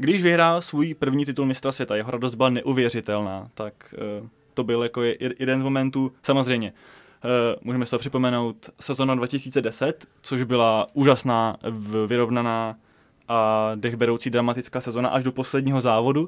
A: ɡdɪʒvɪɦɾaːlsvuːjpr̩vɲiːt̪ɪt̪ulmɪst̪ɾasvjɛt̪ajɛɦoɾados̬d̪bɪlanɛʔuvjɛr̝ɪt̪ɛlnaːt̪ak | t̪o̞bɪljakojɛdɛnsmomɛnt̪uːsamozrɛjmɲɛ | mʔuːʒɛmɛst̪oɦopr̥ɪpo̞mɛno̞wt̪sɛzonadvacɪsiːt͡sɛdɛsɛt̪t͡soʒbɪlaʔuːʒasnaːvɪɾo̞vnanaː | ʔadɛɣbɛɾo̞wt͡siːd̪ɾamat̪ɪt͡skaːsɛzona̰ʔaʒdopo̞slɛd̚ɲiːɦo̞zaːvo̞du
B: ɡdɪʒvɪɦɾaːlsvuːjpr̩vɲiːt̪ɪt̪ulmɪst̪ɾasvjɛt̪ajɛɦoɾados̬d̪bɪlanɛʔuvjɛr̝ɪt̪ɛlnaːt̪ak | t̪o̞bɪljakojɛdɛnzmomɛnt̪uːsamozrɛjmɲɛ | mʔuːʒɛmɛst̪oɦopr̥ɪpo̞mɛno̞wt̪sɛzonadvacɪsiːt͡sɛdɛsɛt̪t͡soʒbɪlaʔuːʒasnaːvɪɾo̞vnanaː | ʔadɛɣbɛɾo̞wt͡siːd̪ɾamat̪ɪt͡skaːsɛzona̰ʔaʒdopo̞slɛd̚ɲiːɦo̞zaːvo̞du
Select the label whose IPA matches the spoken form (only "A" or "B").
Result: B